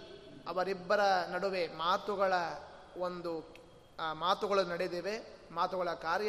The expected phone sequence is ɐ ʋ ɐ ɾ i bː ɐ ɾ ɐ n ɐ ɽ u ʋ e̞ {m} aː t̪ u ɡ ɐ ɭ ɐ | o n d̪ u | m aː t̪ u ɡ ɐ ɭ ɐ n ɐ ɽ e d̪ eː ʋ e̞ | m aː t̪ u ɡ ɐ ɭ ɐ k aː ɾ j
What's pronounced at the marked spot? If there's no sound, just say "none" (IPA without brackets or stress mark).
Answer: m